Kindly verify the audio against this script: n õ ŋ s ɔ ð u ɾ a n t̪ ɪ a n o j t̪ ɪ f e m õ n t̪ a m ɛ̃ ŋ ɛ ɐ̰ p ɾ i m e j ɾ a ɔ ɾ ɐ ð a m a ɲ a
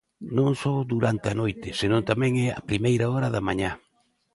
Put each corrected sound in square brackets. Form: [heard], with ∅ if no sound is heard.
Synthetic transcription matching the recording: n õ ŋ s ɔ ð u ɾ a n t̪ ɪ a n o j t̪ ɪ [s] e [n] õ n t̪ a m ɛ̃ ŋ ɛ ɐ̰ p ɾ i m e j ɾ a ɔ ɾ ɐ ð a m a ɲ a